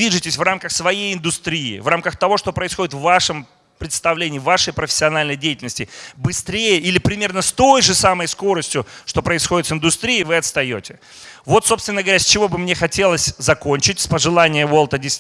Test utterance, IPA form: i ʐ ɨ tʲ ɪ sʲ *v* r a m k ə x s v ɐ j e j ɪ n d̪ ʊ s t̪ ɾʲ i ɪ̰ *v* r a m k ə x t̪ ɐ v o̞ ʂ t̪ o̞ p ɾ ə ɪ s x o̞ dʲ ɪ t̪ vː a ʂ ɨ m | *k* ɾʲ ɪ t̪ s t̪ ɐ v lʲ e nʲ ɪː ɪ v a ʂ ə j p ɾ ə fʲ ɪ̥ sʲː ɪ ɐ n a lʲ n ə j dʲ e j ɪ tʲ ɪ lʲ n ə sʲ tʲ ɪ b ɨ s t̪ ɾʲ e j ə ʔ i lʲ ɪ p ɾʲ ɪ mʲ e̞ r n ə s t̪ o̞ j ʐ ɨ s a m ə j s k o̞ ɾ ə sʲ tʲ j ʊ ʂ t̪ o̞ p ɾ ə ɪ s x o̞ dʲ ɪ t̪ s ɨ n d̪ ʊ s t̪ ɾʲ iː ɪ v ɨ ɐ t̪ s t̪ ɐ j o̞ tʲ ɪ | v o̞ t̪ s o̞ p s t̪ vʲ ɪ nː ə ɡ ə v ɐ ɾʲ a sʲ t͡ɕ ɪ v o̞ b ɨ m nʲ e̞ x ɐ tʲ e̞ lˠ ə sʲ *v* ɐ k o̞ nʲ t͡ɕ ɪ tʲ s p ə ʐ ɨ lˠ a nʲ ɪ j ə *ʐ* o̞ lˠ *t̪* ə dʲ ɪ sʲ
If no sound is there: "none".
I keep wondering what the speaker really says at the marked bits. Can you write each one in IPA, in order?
v, v, p, z, v, t̪

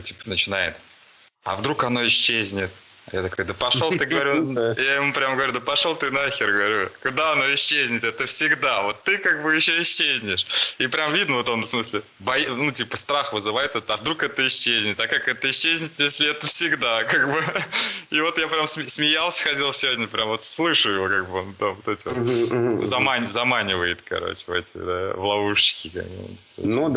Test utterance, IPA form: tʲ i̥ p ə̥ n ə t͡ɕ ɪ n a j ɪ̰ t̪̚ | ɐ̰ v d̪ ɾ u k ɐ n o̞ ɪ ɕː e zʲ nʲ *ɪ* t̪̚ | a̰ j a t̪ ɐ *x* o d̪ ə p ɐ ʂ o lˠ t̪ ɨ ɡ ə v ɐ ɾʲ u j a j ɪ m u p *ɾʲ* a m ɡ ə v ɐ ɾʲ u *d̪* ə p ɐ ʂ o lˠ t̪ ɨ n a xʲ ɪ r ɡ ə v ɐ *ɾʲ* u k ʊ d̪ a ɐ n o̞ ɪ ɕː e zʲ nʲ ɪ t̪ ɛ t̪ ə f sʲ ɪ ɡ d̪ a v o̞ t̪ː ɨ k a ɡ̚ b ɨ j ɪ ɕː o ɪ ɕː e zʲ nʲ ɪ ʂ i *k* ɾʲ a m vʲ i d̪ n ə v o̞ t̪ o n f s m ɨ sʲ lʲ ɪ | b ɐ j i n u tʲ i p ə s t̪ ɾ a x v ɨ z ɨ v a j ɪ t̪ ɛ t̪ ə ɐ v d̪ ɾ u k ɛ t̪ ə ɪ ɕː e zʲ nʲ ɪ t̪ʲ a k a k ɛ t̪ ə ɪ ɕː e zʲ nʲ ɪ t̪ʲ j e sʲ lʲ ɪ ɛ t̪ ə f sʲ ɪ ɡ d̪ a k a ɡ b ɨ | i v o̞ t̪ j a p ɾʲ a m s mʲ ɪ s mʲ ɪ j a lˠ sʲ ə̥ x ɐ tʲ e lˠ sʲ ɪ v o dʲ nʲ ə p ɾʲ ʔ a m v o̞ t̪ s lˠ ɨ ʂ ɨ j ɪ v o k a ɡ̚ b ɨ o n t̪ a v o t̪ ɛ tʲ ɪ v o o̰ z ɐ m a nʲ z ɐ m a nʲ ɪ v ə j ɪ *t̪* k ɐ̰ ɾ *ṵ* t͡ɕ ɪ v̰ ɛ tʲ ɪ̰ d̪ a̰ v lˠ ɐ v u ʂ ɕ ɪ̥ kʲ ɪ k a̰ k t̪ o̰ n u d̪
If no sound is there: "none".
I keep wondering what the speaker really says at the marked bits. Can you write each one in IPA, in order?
ɪ, k, ɾʲ, d̪, ɾʲ, p, t̪, o̰

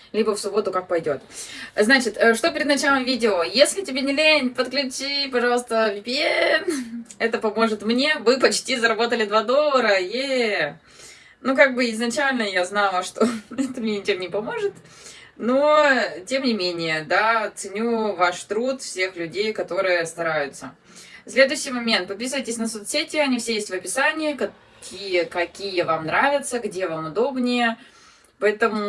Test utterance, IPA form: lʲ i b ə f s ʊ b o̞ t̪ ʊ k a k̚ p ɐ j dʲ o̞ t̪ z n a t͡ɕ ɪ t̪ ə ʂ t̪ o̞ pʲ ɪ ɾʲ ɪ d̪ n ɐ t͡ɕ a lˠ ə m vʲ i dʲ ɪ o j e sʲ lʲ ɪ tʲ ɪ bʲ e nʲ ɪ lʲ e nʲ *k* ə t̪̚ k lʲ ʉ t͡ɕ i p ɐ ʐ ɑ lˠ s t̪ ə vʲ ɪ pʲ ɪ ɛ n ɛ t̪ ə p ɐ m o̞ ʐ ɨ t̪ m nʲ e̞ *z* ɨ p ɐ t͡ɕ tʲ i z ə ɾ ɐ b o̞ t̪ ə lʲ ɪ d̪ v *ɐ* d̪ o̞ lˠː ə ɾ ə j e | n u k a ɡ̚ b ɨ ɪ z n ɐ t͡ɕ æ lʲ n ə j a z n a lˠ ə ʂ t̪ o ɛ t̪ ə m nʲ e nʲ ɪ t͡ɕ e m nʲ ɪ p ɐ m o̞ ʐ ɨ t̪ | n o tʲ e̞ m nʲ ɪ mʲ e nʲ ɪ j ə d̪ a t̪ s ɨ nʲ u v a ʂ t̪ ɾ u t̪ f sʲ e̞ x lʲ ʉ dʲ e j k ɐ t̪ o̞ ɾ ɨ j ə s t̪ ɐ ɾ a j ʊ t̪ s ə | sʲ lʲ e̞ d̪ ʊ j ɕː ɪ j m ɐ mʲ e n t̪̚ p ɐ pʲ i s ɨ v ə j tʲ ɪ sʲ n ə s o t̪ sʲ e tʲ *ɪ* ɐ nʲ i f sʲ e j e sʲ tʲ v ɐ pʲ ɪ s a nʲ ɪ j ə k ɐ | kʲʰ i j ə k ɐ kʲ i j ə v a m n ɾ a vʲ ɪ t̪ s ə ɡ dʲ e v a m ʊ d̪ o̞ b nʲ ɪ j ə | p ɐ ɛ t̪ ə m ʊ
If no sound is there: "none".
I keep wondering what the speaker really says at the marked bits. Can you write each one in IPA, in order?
p, v, a, ɪ

